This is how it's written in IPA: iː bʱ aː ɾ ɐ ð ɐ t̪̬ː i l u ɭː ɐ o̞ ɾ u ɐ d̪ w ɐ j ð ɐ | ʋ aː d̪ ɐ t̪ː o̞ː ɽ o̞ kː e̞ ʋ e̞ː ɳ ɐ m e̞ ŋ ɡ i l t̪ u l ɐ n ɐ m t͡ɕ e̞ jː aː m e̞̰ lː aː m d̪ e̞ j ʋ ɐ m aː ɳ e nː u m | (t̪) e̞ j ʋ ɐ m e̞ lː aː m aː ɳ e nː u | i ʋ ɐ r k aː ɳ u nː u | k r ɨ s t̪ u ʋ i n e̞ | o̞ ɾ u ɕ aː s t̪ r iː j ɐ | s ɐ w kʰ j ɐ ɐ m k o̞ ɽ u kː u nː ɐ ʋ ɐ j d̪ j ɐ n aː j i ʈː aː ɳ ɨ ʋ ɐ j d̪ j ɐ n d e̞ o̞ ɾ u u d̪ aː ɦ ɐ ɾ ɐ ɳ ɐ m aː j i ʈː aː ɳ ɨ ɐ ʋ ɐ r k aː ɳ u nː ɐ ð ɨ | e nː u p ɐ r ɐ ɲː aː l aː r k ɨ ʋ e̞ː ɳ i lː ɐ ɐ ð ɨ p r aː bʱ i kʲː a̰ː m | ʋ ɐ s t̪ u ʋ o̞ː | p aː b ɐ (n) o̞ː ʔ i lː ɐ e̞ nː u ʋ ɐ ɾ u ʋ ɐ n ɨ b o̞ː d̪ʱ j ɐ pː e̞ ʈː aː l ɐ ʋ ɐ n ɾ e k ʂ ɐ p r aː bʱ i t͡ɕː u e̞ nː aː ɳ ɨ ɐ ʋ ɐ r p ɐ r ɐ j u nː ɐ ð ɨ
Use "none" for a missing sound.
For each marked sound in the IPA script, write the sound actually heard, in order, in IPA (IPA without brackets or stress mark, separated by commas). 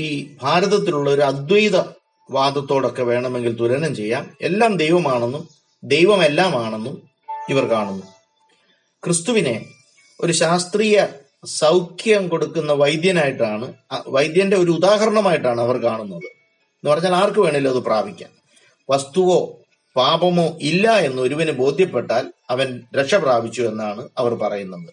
d̪, m